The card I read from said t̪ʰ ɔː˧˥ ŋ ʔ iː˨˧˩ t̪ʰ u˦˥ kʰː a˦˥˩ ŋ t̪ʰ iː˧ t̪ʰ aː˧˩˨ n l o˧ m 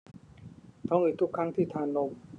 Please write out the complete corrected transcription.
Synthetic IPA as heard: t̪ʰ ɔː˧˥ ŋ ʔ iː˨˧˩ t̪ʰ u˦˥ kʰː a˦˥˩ ŋ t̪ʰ iː˥˩ t̪ʰ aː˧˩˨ n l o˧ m